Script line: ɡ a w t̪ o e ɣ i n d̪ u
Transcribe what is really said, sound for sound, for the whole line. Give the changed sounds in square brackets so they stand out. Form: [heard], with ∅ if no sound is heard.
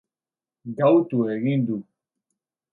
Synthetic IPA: ɡ a w t̪ [u] e ɣ i n d̪ u